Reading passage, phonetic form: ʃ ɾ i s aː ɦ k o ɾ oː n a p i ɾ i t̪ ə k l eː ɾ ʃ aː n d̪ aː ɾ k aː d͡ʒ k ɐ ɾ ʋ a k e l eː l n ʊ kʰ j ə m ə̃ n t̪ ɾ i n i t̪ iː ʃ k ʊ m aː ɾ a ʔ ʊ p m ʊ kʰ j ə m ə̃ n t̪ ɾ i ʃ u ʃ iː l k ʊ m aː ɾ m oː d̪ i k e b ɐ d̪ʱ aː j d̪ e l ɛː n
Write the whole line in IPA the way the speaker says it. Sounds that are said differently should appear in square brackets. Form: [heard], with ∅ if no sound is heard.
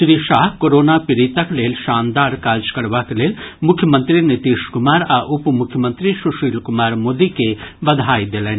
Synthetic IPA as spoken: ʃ ɾ i [ʃ] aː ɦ k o ɾ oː n a p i ɾ i t̪ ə k l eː [l] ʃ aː n d̪ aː ɾ k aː d͡ʒ k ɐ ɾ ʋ a k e l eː l [m] ʊ kʰ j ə m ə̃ n t̪ ɾ i n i t̪ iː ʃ k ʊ m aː ɾ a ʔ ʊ p m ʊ kʰ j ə m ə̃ n t̪ ɾ i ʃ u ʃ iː l k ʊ m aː ɾ m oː d̪ i k e b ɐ d̪ʱ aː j d̪ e l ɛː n

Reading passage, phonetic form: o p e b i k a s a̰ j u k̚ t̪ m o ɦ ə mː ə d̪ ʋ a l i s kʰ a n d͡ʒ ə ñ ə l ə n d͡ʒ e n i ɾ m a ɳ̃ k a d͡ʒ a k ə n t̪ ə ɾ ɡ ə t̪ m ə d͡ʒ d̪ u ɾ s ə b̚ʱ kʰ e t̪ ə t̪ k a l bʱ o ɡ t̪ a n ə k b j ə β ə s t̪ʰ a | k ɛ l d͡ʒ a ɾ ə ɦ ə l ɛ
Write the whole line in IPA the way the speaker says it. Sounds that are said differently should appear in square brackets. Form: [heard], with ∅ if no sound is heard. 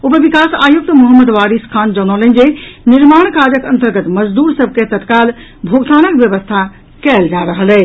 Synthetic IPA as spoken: o p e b i k a s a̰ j u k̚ t̪ m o ɦ ə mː ə d̪ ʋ a [ɾ] i s kʰ a n d͡ʒ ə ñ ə l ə n d͡ʒ e n i ɾ m a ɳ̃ k a d͡ʒ [ə] k ə n t̪ ə ɾ ɡ ə t̪ m ə d͡ʒ d̪ u ɾ s ə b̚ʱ [k] e t̪ ə t̪ k a l bʱ o ɡ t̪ a n ə k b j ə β ə s t̪ʰ a | k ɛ l d͡ʒ a ɾ ə ɦ ə l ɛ

